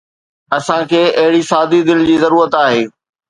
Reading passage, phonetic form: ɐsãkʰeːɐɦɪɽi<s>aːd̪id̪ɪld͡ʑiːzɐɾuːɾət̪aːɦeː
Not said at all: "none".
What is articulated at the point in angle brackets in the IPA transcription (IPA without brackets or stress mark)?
s